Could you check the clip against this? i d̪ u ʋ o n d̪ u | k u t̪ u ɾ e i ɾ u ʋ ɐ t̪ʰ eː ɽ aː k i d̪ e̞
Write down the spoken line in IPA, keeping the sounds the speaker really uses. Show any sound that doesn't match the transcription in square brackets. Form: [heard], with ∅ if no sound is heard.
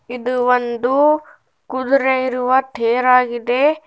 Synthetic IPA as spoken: i d̪ u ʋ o n d̪ u | k u [d̪] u ɾ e i ɾ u ʋ ɐ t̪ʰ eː [ɾ] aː [ɡ] i d̪ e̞